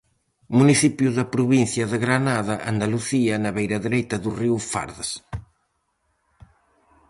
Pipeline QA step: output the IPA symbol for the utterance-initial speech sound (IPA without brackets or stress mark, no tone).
m